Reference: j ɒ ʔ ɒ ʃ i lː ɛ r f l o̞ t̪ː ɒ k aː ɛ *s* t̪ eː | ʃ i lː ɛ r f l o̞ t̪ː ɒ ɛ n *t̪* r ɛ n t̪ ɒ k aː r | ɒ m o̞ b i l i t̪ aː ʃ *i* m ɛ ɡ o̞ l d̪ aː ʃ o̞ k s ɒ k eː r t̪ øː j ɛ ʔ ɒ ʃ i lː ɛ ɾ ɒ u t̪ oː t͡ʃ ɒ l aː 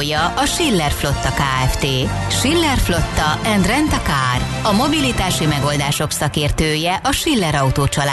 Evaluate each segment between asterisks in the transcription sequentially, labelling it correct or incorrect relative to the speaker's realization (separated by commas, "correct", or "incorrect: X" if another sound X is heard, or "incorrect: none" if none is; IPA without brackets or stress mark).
incorrect: f, incorrect: d̪, correct